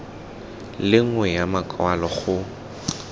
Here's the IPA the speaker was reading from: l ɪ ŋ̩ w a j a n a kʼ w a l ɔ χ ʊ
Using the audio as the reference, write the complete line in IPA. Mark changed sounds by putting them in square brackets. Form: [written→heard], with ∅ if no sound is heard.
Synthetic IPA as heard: l ɪ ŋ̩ w [a→ɛ] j a [n→m] a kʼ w a l ɔ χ ʊ